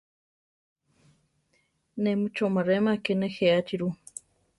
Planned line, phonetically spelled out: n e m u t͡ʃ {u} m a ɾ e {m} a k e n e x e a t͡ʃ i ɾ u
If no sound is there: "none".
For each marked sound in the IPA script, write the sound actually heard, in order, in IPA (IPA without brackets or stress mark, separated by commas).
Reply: o, m